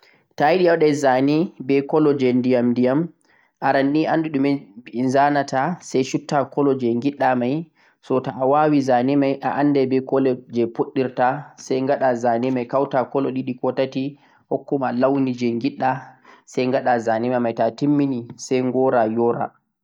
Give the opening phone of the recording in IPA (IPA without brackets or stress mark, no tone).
t